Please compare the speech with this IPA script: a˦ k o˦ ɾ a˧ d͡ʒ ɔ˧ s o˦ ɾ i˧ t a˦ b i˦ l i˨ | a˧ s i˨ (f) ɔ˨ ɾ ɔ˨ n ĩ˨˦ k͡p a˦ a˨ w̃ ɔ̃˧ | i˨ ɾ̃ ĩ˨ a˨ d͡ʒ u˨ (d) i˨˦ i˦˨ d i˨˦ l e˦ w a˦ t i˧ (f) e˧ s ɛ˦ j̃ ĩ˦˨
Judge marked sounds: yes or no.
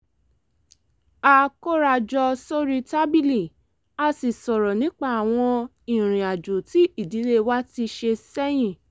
no, no, no

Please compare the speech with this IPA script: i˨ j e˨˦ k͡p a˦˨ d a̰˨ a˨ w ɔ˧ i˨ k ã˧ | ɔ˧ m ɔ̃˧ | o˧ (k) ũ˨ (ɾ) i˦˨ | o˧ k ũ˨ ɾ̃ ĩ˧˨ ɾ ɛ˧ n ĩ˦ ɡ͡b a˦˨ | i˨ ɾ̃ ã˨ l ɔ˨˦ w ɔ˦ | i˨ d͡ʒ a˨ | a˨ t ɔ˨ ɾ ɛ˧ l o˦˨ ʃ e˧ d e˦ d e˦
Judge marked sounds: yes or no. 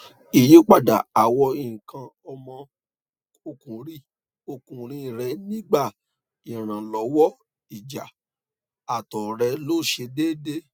yes, yes

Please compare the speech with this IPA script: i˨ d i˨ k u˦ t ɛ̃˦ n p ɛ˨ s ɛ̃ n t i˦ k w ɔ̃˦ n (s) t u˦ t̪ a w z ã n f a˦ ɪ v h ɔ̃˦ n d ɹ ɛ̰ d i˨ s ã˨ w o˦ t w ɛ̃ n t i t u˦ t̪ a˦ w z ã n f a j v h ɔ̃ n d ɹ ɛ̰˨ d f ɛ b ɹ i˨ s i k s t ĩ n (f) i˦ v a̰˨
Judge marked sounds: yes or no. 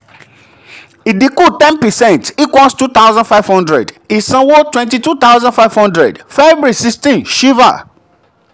yes, no

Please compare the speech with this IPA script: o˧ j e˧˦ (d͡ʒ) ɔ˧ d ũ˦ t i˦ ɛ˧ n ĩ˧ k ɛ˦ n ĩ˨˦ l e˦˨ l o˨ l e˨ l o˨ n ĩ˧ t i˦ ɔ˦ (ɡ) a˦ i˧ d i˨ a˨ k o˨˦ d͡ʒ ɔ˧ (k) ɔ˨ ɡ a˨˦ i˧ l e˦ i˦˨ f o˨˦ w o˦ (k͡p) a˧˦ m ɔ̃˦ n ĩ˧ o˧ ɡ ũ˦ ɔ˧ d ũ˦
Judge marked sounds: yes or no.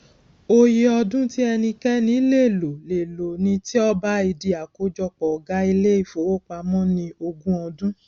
no, no, no, yes

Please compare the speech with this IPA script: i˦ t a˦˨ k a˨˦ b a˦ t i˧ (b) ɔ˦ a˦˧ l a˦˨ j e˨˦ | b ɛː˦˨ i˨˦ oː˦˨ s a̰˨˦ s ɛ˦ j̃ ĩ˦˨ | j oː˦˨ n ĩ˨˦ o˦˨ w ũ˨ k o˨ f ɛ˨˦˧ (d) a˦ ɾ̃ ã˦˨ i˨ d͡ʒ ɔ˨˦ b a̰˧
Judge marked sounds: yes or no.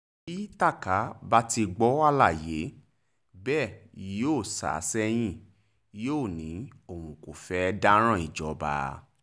no, yes

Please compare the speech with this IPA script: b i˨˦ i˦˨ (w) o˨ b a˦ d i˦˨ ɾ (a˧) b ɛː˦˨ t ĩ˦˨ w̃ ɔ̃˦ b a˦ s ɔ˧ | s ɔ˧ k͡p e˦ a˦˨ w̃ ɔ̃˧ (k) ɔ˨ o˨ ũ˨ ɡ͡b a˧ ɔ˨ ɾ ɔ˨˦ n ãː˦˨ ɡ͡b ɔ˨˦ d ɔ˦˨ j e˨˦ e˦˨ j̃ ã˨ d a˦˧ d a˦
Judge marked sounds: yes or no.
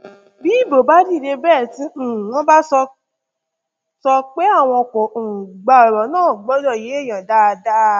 no, no, yes

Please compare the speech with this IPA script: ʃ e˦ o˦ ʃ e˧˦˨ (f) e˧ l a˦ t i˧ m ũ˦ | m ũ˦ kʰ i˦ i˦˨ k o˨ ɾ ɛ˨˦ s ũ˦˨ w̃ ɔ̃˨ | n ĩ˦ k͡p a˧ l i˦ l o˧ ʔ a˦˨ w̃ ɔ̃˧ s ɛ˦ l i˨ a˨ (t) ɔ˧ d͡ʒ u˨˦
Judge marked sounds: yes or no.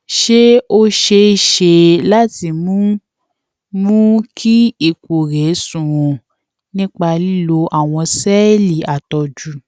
no, yes

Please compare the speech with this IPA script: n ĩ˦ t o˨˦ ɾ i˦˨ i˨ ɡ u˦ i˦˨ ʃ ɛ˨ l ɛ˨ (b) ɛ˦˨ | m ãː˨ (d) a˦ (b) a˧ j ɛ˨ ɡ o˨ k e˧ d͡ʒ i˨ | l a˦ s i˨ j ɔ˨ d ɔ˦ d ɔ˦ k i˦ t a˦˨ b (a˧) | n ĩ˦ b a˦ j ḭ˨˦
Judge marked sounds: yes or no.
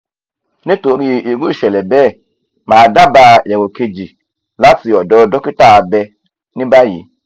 yes, yes, yes, no

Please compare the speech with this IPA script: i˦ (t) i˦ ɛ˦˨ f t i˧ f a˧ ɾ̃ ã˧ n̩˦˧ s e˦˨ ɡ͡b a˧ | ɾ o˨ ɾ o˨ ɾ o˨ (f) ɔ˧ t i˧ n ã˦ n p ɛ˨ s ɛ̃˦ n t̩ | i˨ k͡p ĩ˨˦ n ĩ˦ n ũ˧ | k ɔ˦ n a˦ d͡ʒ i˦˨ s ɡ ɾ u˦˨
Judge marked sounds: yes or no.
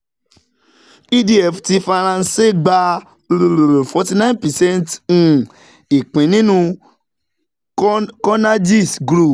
no, yes

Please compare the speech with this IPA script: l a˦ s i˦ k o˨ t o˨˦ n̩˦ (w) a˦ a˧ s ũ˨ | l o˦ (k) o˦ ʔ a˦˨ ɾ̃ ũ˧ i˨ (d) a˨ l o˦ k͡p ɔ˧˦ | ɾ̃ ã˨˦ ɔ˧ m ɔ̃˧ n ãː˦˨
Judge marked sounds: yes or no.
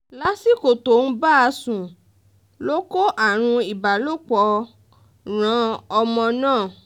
no, yes, no

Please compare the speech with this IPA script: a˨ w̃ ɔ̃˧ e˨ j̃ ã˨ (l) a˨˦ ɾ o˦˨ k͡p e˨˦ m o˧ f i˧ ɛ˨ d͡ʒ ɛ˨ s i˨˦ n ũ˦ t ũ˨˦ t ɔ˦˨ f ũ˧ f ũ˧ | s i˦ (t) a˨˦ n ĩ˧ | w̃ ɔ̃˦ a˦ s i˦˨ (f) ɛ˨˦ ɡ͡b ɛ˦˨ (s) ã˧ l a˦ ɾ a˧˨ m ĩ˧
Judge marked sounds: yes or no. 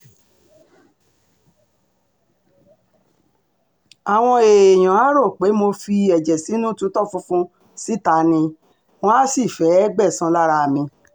no, yes, yes, yes

